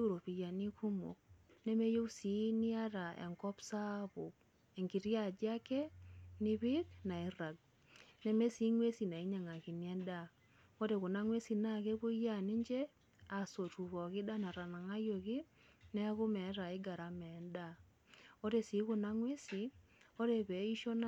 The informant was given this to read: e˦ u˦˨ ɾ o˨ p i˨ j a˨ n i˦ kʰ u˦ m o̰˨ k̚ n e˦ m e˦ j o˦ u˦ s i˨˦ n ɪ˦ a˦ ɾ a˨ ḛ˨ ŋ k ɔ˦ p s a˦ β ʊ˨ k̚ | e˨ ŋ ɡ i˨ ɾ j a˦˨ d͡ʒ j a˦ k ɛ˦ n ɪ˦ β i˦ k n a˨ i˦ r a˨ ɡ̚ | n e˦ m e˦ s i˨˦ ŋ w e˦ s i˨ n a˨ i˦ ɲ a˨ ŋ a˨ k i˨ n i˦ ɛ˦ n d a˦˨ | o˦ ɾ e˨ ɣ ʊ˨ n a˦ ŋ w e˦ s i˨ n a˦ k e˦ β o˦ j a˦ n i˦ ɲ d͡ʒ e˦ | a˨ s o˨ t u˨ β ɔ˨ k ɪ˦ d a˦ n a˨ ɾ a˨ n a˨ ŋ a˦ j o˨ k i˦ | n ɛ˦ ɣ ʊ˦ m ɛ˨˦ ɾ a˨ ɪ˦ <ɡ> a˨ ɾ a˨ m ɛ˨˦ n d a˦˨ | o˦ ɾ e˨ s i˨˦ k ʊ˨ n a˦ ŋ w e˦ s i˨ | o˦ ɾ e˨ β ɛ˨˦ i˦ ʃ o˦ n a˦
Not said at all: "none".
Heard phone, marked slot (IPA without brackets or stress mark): ɡ